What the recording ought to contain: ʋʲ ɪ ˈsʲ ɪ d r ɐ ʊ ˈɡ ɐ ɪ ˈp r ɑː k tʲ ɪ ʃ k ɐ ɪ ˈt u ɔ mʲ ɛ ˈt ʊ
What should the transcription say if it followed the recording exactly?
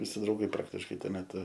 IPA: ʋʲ ɪ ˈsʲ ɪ d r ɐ ʊ ˈɡ ɐ ɪ ˈp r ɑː k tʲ ɪ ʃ k ɐ ɪ ˈt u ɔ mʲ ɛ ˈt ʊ